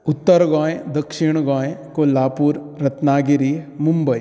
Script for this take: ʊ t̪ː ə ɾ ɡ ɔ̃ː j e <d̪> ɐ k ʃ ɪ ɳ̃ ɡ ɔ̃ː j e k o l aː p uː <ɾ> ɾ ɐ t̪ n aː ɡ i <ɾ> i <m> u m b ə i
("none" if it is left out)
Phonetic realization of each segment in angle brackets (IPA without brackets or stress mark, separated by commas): d̪, ɾ, ɾ, m